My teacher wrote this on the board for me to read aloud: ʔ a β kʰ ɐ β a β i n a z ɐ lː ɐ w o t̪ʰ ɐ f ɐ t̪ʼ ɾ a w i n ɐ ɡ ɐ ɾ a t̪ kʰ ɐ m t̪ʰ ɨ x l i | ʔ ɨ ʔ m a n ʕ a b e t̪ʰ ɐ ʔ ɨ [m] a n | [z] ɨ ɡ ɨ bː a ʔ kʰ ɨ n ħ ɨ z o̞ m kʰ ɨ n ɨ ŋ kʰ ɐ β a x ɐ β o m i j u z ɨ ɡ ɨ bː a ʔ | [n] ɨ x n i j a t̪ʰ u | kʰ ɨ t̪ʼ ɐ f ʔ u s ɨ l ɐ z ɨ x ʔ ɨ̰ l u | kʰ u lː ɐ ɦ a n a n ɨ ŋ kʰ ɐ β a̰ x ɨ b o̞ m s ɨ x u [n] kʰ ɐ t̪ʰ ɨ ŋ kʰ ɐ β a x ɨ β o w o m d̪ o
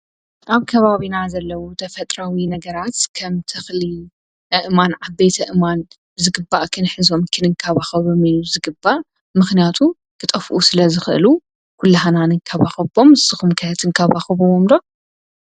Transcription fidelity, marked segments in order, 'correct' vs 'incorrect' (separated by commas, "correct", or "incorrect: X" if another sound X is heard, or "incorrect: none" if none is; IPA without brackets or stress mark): correct, correct, incorrect: m, incorrect: m